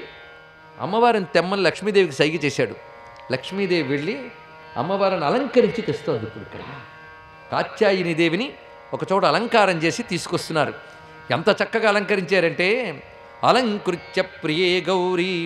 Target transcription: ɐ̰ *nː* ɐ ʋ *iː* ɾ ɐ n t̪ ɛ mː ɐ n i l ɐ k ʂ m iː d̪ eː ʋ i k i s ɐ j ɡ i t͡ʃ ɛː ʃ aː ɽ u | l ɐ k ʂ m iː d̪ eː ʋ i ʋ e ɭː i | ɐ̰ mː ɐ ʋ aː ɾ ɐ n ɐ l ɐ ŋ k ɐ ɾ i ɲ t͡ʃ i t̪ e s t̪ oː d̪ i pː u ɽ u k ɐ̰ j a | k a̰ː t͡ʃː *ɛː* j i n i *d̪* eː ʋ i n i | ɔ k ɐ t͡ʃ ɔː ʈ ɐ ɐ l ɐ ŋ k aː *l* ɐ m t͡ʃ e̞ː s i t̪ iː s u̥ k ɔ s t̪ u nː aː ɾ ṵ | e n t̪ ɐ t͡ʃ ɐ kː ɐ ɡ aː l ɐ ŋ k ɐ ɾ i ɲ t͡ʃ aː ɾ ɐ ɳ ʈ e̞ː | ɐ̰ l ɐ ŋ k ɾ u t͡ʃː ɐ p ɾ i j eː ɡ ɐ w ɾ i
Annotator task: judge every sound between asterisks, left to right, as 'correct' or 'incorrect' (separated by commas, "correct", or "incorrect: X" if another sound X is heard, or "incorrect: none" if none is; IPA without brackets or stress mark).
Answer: incorrect: mː, incorrect: aː, incorrect: aː, correct, incorrect: ɾ